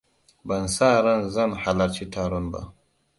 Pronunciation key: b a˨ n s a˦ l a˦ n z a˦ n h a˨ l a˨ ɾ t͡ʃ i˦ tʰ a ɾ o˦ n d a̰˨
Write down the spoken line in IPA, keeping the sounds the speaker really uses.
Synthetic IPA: b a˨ n s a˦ ɾ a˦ n z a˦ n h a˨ l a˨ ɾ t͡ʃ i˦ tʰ a ɾ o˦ n b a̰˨